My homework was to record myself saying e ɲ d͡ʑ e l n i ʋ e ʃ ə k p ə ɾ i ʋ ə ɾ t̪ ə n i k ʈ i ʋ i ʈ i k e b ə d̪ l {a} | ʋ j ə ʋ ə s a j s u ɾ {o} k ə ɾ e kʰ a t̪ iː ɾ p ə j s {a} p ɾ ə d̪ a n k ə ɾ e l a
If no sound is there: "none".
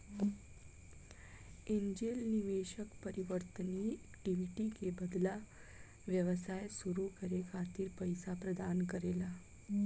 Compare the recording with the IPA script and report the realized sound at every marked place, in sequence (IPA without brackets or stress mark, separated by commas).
a, u, a